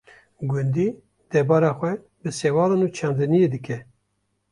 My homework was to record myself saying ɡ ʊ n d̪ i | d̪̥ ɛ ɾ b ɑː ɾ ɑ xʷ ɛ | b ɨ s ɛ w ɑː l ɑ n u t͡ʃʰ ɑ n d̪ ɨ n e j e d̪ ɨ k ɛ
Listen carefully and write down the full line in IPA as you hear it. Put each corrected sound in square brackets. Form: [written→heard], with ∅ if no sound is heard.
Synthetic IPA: ɡ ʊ n d̪ i | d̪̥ ɛ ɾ b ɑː ɾ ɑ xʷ ɛ | b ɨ s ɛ w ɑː l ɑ n u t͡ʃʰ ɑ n d̪ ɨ n [e→i] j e d̪ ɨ k ɛ